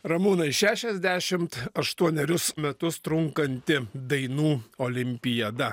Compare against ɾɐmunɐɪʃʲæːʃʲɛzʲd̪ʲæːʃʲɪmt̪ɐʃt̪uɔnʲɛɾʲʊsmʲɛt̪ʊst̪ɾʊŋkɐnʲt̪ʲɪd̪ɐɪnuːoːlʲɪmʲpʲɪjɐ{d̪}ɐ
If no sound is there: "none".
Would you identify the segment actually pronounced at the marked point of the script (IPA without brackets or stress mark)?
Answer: d̪